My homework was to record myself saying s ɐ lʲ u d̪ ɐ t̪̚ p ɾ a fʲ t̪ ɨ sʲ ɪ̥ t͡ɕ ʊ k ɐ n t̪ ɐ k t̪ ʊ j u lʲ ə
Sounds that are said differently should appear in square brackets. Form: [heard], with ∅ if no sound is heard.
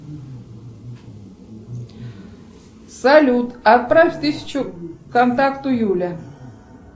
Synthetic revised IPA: s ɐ lʲ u [t̪] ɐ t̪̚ p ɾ a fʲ t̪ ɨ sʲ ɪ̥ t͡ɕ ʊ k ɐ n t̪ [a] k t̪ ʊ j u lʲ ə

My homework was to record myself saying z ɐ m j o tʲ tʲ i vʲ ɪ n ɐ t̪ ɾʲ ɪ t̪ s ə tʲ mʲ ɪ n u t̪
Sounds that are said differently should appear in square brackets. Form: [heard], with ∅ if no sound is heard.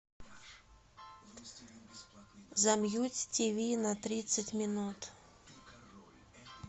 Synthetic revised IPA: z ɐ m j [u] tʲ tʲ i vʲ [i] n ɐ t̪ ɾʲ [i] t̪ s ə tʲ mʲ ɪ n u t̪

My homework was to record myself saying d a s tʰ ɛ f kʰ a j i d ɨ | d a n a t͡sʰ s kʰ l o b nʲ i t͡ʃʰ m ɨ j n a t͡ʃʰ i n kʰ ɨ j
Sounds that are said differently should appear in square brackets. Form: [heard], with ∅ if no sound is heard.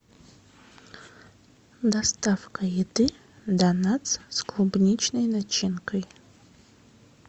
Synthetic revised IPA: d a s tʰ [a] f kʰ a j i d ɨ | d a n a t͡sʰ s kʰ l [u] b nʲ i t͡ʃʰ [n] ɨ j n a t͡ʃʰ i n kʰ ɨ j

